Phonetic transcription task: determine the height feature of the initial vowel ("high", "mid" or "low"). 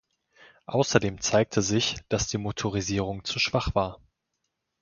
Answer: low